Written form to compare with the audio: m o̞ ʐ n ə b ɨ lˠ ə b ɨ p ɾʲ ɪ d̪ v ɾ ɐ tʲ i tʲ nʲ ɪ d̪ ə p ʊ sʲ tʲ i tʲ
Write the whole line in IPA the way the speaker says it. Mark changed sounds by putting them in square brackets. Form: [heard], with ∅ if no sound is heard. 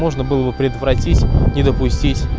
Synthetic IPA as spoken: m o̞ ʐ n ə b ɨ lˠ ə b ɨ p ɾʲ ɪ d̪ v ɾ ɐ tʲ i tʲ nʲ ɪ d̪ ə p ʊ sʲ tʲ i tʲ